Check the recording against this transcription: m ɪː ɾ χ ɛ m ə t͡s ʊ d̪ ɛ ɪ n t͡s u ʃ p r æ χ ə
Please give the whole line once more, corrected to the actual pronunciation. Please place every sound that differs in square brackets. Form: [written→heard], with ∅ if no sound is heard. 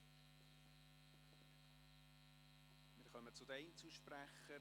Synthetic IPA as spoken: m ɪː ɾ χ [ɛ→œ] m ə t͡s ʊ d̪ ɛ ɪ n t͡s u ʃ p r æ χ ə